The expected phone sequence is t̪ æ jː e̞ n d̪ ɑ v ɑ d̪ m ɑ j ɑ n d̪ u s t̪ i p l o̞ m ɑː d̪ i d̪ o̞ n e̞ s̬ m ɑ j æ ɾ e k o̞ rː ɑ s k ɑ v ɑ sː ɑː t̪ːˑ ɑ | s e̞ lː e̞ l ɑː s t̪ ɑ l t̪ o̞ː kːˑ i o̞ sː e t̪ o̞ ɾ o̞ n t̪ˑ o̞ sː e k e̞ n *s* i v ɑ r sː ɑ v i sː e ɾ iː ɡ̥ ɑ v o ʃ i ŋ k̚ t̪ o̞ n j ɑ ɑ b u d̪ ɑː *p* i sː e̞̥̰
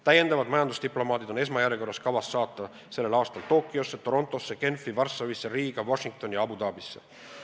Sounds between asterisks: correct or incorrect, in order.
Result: incorrect: f, incorrect: b

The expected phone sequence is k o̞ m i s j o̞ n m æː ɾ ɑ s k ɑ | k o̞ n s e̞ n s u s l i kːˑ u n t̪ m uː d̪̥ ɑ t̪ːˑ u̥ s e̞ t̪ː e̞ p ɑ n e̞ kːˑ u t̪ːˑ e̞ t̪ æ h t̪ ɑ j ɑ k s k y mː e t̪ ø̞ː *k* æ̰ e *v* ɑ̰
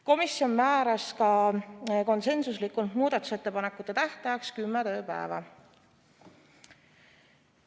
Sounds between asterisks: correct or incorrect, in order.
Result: incorrect: p, correct

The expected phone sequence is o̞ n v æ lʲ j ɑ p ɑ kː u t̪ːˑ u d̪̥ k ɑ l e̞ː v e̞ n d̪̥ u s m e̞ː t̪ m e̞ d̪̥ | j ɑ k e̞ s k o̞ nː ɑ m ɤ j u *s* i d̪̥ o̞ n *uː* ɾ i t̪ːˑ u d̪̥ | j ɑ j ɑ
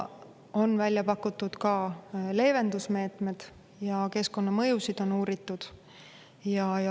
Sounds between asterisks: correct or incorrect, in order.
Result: correct, correct

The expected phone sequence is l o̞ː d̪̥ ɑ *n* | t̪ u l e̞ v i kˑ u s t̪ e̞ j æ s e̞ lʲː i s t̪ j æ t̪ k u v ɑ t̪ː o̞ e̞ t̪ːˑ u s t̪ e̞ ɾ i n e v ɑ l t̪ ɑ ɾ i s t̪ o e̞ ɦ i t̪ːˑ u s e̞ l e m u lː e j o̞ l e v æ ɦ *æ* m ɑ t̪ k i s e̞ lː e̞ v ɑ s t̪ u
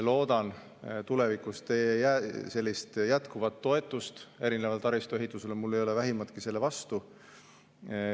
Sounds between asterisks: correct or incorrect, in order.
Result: correct, incorrect: i

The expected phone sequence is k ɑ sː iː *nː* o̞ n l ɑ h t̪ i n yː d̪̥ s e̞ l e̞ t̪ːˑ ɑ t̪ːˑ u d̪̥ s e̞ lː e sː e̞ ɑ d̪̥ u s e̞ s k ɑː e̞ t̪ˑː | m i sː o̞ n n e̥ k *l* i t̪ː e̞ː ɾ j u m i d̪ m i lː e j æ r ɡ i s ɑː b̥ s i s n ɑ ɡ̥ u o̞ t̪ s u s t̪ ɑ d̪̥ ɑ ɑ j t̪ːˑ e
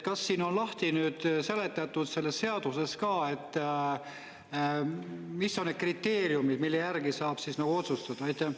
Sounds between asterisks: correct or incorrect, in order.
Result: incorrect: n, incorrect: r

